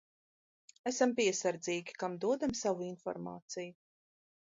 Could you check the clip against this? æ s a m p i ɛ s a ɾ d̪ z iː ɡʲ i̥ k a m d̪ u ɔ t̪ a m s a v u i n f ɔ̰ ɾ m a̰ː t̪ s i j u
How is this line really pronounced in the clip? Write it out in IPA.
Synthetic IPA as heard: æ s a m p i ɛ s a ɾ d̪ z iː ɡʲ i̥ k a m d̪ u ɔ d̪ a m s a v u i n f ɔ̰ ɾ m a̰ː t̪ s i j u